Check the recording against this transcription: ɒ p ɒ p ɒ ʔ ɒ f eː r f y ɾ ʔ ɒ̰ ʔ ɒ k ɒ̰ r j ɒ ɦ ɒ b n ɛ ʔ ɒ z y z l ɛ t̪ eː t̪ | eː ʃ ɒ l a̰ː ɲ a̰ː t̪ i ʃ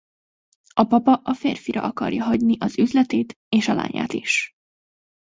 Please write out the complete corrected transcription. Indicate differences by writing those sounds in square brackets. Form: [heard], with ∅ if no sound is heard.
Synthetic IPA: ɒ p ɒ p ɒ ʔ ɒ f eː r f [i] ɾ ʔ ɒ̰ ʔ ɒ k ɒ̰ r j ɒ ɦ ɒ [ɟ] n [i] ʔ ɒ z y z l ɛ t̪ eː t̪ | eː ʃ ɒ l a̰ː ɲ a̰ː t̪ i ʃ

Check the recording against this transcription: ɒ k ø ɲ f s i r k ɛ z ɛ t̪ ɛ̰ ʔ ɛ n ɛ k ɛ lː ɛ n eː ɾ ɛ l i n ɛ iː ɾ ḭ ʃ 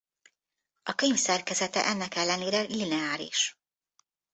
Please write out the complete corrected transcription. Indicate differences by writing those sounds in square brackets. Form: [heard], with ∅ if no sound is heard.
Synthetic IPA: ɒ k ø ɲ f s [ɛ] r k ɛ z ɛ t̪ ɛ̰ ʔ ɛ [nː] ɛ k ɛ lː ɛ n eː ɾ ɛ l i n ɛ [aː] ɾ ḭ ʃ

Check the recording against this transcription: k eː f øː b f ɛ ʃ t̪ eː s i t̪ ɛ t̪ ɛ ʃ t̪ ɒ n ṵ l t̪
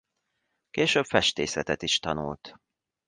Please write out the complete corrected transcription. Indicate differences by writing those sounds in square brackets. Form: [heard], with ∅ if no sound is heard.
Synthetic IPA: k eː [ʃ] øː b f ɛ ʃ t̪ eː s [ɛ] t̪ ɛ t̪ [i] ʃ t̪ ɒ n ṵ l t̪

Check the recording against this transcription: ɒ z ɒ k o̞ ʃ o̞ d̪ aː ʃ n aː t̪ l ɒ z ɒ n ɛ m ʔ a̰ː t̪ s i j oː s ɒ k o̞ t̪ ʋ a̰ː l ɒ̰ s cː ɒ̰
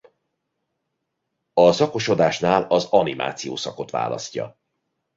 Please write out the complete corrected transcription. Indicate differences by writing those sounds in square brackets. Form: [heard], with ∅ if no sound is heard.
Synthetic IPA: ɒ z ɒ k o̞ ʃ o̞ d̪ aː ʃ n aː [∅] l ɒ z ɒ n [i] m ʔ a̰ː t̪ s i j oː s ɒ k o̞ t̪ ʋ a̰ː l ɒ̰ s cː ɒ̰

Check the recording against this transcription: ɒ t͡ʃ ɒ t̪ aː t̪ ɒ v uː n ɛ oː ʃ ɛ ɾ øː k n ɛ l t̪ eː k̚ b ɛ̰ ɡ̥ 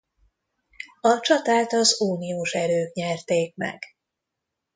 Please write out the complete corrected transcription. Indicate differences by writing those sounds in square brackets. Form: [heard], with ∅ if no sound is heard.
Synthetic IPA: ɒ t͡ʃ ɒ t̪ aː t̪ ɒ [z] uː n [i] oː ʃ ɛ ɾ øː k [ɲ] ɛ [r] t̪ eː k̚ [m] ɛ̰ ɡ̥

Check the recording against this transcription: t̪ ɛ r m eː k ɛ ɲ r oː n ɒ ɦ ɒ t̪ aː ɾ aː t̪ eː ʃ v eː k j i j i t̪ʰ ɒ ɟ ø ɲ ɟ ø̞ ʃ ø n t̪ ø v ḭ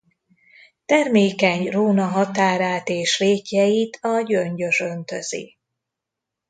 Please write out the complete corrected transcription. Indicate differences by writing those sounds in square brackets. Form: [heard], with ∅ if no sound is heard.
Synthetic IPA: t̪ ɛ r m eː k ɛ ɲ r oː n ɒ ɦ ɒ t̪ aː ɾ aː t̪ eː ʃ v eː k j [ɛ] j i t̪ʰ ɒ ɟ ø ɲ ɟ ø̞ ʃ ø n t̪ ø [z] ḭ

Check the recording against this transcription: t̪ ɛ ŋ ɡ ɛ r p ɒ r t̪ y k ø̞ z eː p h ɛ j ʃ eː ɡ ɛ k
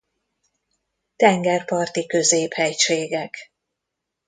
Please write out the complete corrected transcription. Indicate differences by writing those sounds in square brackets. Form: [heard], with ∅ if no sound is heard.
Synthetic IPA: t̪ ɛ ŋ ɡ ɛ r p ɒ r t̪ [i] k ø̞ z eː p h ɛ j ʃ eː ɡ ɛ k

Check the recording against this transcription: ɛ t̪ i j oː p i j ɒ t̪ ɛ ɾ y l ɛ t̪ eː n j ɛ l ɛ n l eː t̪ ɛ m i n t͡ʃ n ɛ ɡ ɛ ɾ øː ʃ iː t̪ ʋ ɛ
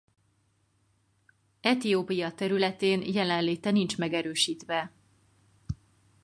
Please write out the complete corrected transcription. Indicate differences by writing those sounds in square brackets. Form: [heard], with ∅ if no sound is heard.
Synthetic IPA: ɛ t̪ i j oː p i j ɒ t̪ ɛ ɾ y l ɛ t̪ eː n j ɛ l ɛ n l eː t̪ ɛ [n] i n t͡ʃ [m] ɛ ɡ ɛ ɾ øː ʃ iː t̪ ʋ ɛ

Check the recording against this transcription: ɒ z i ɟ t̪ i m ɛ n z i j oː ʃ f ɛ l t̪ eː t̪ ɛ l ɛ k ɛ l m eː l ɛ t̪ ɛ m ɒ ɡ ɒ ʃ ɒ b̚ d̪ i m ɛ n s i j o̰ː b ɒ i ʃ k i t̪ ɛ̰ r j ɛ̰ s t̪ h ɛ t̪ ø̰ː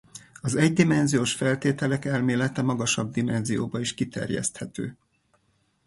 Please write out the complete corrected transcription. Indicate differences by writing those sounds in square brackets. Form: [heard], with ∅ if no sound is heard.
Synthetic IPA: ɒ z [ɛ] ɟ [d̪] i m ɛ n z i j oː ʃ f ɛ l t̪ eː t̪ ɛ l ɛ k ɛ l m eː l ɛ t̪ ɛ m ɒ ɡ ɒ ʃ ɒ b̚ d̪ i m ɛ n [z] i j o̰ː b ɒ i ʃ k i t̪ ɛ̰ r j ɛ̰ s t̪ h ɛ t̪ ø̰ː

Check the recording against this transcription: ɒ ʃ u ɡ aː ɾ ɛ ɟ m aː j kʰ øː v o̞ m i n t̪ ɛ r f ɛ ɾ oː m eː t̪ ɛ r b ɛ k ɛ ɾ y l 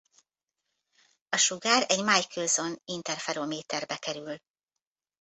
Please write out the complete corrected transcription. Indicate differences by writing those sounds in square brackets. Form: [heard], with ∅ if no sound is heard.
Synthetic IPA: ɒ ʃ u ɡ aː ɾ ɛ ɟ m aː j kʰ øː [z] o̞ [n] i n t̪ ɛ r f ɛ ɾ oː m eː t̪ ɛ r b ɛ k ɛ ɾ y l

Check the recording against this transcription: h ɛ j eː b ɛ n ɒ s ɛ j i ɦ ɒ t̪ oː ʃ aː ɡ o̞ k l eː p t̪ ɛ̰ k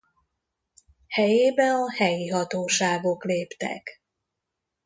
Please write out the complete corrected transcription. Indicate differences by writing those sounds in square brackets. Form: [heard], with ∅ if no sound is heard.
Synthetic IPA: h ɛ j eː b ɛ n ɒ [h] ɛ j i ɦ ɒ t̪ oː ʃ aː ɡ o̞ k l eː p t̪ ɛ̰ k

